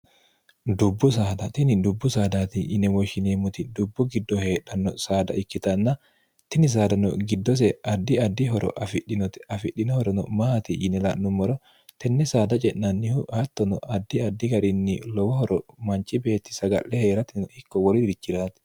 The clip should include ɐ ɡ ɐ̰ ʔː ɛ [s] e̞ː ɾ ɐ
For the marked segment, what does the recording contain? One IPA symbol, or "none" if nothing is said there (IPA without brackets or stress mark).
h